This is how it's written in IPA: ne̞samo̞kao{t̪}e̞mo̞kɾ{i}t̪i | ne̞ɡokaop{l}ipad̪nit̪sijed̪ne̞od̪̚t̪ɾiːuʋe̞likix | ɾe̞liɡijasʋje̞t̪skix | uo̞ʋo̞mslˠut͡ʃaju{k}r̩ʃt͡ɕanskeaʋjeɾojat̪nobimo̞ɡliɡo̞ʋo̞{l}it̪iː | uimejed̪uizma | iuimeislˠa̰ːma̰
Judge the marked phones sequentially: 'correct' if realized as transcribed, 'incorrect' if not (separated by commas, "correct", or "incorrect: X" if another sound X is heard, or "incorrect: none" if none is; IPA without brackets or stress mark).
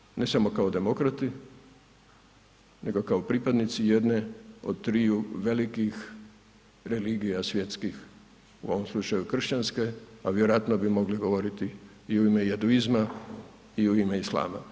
incorrect: d̪, incorrect: a, incorrect: ɾ, correct, incorrect: ɾ